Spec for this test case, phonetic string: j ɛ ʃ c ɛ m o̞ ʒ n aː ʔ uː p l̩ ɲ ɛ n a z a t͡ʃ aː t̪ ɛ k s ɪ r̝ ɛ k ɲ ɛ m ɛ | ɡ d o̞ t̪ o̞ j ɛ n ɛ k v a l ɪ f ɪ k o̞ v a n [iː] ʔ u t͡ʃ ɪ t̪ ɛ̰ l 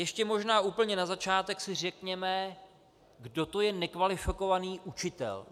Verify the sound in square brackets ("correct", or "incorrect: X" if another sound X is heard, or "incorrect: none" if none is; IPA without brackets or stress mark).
correct